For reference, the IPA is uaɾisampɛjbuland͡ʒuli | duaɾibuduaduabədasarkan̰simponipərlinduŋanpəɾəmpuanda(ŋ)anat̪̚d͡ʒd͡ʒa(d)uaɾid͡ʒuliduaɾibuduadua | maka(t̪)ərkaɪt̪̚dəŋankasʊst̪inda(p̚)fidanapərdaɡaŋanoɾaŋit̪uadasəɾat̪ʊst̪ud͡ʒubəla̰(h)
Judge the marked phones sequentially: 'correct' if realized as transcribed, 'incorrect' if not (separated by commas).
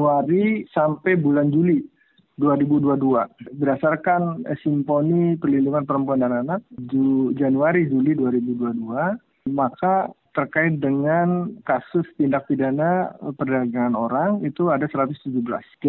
incorrect, incorrect, correct, incorrect, incorrect